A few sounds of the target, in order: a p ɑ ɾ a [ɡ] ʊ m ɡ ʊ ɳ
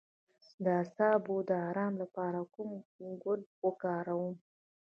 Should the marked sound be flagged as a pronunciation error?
yes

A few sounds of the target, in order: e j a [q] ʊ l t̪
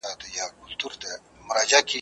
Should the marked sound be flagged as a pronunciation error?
yes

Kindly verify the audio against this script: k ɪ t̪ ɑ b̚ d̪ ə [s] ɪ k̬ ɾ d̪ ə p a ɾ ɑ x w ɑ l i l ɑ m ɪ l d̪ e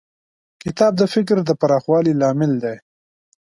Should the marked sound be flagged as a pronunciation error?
yes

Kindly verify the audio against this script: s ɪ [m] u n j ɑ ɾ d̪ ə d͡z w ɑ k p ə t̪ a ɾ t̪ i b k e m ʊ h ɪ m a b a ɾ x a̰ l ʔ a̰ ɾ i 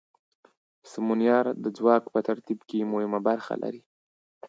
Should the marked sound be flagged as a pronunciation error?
no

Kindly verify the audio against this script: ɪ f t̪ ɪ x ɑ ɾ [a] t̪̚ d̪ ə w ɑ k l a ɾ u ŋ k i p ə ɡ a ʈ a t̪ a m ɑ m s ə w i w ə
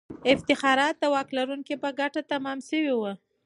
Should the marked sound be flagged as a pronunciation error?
yes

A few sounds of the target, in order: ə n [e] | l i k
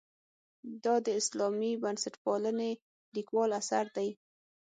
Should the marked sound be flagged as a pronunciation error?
no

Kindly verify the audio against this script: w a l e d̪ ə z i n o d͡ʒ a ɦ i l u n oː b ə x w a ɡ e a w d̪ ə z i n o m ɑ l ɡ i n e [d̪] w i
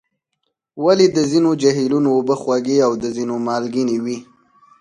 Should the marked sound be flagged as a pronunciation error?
yes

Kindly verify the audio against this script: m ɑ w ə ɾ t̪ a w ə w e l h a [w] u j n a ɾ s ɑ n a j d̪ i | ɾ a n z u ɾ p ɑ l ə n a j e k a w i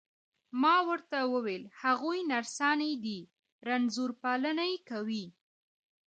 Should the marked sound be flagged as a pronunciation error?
yes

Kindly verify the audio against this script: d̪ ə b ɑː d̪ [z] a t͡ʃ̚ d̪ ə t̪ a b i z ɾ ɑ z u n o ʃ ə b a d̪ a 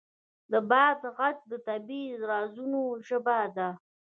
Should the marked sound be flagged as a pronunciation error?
yes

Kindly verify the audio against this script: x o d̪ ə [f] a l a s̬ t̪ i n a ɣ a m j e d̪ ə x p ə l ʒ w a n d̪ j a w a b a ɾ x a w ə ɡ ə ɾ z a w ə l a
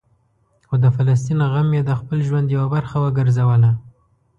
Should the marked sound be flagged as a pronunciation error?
no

